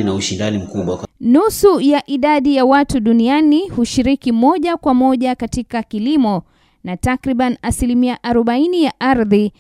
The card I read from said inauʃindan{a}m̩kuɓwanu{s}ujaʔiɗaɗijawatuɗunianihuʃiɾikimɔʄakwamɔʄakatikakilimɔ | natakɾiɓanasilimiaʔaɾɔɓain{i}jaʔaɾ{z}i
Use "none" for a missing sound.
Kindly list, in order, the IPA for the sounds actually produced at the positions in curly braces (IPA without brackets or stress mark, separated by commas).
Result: i, s, i, ð